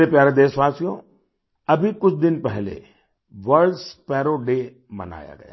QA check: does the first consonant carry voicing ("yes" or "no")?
no